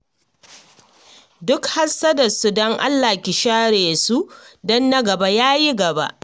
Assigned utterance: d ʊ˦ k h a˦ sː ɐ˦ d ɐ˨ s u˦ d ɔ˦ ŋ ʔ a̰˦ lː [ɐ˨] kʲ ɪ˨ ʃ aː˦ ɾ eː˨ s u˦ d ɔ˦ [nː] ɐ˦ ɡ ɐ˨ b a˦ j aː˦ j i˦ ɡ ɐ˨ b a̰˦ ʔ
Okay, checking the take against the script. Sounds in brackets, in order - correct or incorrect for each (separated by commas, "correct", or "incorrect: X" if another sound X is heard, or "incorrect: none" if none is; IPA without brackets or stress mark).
incorrect: a˨, correct